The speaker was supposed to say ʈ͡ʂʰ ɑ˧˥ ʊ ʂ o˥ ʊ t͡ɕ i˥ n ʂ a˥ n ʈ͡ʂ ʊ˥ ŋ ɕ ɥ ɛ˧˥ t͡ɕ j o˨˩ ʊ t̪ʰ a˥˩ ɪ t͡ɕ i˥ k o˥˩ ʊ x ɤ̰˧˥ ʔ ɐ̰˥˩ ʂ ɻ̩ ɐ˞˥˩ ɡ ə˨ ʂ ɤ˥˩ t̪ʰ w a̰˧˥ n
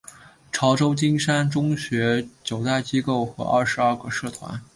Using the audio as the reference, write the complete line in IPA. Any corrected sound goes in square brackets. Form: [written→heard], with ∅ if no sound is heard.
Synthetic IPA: ʈ͡ʂʰ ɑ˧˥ ʊ [ʂ→ʈ͡ʂ] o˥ ʊ t͡ɕ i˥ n ʂ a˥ n ʈ͡ʂ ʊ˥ ŋ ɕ ɥ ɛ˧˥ t͡ɕ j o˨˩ ʊ [t̪ʰ→t̪] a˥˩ ɪ t͡ɕ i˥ k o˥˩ ʊ x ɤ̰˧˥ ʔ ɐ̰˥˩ ʂ ɻ̩ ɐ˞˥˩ ɡ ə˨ ʂ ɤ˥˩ t̪ʰ w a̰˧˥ n

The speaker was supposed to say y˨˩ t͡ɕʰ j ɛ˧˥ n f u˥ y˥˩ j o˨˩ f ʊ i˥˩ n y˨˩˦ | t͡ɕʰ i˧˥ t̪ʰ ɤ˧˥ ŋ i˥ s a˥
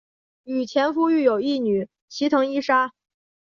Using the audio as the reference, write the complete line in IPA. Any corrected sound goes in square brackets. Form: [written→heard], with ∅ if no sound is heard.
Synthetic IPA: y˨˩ t͡ɕʰ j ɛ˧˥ n f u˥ y˥˩ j o˨˩ [f→∅] ʊ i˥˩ n y˨˩˦ | t͡ɕʰ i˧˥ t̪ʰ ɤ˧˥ ŋ i˥ [s→ʂ] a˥

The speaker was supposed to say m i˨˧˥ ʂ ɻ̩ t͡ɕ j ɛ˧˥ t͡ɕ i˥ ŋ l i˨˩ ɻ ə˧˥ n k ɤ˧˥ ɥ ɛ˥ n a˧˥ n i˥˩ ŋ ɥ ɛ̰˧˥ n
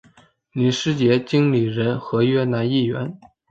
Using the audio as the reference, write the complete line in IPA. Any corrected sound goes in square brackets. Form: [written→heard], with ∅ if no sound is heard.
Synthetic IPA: [m→n] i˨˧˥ ʂ ɻ̩ t͡ɕ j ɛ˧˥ t͡ɕ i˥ ŋ l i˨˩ ɻ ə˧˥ n [k→x] ɤ˧˥ ɥ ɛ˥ n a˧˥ n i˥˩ [ŋ→∅] ɥ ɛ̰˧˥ n

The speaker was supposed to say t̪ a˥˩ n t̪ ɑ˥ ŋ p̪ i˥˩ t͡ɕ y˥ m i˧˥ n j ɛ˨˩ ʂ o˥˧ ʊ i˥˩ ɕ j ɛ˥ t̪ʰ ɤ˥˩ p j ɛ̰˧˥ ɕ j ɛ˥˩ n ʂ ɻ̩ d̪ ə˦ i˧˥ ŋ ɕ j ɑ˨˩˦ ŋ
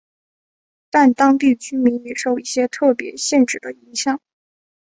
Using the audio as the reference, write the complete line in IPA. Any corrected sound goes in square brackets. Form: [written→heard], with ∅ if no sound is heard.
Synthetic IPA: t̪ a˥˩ n t̪ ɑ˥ ŋ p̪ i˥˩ t͡ɕ y˥ m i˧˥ n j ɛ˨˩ ʂ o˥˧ ʊ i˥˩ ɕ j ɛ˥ t̪ʰ ɤ˥˩ p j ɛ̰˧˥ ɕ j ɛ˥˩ n [ʂ→ʈ͡ʂ] ɻ̩ d̪ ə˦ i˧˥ ŋ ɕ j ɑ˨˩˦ ŋ

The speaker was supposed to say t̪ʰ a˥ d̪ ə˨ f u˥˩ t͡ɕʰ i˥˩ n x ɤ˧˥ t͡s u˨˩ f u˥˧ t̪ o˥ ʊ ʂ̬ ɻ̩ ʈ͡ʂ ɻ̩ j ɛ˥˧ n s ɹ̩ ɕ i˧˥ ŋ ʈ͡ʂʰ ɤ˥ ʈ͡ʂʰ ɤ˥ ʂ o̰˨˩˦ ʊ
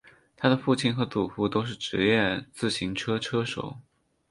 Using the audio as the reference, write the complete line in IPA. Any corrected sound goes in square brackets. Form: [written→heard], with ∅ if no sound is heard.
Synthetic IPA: t̪ʰ a˥ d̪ ə˨ f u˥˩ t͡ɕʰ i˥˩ n x ɤ˧˥ t͡s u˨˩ f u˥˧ t̪ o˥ ʊ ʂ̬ ɻ̩ ʈ͡ʂ ɻ̩ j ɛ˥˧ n [s→t͡s] ɹ̩ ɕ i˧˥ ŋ ʈ͡ʂʰ ɤ˥ ʈ͡ʂʰ ɤ˥ ʂ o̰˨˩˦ ʊ

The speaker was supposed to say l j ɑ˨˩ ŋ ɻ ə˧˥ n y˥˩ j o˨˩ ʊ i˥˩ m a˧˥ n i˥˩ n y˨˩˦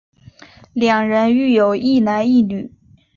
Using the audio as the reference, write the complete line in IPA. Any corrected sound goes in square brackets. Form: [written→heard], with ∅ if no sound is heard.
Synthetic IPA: l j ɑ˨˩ ŋ ɻ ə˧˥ n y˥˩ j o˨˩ ʊ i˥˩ [m→n] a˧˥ n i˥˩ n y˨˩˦

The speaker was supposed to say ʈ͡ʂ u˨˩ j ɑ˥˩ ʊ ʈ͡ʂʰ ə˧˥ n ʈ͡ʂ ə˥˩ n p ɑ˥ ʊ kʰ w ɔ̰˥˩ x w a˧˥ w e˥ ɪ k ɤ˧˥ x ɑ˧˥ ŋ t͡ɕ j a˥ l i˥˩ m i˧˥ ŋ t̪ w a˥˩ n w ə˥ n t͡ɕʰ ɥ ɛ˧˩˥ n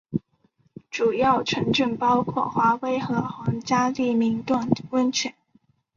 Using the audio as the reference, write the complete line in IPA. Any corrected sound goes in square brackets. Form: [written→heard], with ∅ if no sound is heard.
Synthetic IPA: ʈ͡ʂ u˨˩ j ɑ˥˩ ʊ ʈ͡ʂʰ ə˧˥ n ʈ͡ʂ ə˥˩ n p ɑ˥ ʊ kʰ w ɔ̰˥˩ x w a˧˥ w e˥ ɪ [k→x] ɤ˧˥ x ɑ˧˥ ŋ t͡ɕ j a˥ l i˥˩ m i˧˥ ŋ t̪ w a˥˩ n w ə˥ n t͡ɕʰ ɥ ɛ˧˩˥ n

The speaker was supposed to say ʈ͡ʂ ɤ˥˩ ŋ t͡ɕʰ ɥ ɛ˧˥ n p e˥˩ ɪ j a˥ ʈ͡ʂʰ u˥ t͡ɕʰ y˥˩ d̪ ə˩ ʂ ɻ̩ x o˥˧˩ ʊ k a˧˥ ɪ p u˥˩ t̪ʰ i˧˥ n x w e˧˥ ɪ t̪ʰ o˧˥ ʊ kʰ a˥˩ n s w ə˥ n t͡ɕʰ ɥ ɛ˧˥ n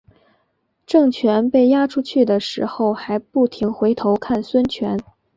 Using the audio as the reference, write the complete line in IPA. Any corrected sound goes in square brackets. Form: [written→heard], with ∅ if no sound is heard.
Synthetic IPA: ʈ͡ʂ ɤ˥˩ ŋ t͡ɕʰ ɥ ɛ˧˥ n p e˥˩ ɪ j a˥ ʈ͡ʂʰ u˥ t͡ɕʰ y˥˩ d̪ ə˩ ʂ ɻ̩ x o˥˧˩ ʊ [k→x] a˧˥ ɪ p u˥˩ t̪ʰ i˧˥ [n→ŋ] x w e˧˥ ɪ t̪ʰ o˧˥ ʊ kʰ a˥˩ n s w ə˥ n t͡ɕʰ ɥ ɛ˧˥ n

